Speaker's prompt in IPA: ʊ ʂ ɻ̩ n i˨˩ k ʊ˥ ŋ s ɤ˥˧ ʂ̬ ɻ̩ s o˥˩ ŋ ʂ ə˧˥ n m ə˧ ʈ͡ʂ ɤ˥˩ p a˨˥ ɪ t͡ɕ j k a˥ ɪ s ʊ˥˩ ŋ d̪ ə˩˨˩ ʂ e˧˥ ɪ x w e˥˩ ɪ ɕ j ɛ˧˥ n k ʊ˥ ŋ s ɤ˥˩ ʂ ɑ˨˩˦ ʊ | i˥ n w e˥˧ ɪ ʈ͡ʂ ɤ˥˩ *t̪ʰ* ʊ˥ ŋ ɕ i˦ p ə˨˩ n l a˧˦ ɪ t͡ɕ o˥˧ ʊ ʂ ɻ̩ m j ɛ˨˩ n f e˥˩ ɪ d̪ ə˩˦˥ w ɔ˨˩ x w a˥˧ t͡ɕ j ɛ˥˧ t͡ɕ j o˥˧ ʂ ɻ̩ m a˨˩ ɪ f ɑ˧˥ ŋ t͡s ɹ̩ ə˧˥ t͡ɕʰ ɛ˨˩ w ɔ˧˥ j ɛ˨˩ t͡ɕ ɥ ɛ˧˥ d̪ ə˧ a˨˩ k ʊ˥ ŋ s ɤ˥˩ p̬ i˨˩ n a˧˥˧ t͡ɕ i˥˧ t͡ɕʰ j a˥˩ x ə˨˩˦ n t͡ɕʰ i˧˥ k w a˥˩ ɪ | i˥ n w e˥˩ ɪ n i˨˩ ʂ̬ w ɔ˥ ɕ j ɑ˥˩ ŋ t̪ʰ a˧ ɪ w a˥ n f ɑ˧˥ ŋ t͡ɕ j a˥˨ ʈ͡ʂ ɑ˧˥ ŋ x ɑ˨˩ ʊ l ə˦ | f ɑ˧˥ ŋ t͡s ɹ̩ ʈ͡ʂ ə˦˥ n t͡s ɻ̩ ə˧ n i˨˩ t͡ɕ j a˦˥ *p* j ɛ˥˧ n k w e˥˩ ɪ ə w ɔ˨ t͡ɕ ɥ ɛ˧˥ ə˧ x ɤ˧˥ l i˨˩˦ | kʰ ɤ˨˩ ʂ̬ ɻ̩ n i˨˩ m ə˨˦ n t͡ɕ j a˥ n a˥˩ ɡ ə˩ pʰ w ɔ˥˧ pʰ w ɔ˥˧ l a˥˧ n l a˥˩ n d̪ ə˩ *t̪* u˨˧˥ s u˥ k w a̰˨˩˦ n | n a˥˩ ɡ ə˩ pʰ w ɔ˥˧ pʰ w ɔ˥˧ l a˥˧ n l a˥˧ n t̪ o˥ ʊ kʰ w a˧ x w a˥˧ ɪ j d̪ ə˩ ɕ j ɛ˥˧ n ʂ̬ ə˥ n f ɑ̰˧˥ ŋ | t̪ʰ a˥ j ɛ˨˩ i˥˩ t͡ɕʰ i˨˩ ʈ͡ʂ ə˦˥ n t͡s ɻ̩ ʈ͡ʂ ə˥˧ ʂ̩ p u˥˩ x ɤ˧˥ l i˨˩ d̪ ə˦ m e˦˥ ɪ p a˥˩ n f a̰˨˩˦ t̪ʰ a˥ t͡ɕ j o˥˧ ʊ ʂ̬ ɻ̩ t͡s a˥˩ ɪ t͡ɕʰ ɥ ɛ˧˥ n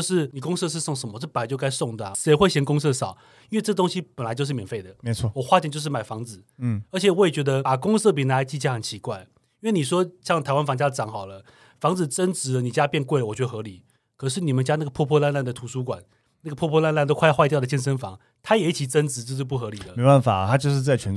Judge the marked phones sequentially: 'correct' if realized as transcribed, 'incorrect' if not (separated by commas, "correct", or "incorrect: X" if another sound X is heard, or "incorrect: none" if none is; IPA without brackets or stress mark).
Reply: incorrect: t̪, correct, incorrect: t̪ʰ